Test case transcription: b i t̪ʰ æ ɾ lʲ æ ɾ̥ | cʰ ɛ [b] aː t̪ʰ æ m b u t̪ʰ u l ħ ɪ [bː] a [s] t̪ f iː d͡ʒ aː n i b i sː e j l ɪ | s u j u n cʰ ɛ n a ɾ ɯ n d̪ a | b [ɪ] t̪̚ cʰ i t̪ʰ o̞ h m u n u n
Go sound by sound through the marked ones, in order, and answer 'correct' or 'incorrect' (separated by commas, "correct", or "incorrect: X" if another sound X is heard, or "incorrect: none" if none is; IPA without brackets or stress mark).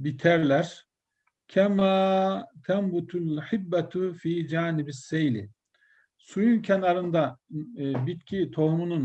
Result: incorrect: m, correct, incorrect: none, incorrect: i